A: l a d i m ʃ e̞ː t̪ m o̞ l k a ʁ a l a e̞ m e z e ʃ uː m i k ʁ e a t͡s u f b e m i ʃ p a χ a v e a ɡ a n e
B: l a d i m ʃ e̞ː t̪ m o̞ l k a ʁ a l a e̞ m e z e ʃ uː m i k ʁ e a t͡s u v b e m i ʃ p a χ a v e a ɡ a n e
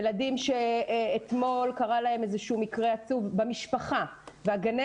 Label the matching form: B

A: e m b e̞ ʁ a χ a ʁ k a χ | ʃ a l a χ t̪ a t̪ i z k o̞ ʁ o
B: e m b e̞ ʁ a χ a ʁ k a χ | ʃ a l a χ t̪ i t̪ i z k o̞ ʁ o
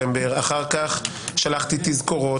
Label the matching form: B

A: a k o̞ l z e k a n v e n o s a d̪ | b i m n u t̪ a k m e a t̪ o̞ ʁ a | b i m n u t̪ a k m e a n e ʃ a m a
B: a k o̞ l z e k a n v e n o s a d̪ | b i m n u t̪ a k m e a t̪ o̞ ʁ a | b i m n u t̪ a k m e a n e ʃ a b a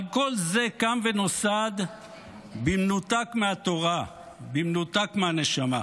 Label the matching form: A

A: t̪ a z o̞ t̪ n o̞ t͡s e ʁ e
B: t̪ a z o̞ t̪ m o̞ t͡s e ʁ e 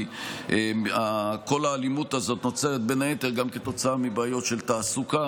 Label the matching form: A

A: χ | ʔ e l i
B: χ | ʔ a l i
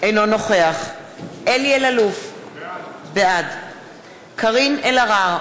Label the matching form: A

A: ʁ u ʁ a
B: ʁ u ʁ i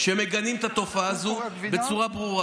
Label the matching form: A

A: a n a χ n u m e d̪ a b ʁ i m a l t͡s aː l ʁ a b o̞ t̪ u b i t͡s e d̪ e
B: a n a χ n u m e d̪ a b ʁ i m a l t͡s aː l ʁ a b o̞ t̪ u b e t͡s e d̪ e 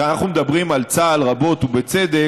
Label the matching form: B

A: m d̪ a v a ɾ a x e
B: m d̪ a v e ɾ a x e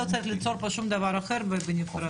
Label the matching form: A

